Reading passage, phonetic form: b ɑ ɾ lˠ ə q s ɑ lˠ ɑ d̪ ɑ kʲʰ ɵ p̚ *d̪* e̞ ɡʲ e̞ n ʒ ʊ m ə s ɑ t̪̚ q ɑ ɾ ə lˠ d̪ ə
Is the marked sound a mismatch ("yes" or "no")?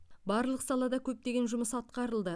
yes